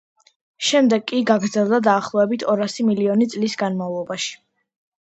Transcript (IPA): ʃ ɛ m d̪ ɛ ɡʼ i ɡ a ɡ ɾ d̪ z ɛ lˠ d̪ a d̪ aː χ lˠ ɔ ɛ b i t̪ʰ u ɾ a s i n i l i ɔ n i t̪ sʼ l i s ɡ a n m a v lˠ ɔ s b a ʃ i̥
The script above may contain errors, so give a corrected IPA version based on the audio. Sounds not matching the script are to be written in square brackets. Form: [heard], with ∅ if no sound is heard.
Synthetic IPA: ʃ ɛ m d̪ ɛ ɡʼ i ɡ a ɡ ɾ d̪ z ɛ lˠ d̪ a d̪ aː χ lˠ ɔ ɛ b i t̪ʰ [ɔ] ɾ a s i [m] i l i ɔ n i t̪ sʼ l i s ɡ a n m a v lˠ ɔ [∅] b a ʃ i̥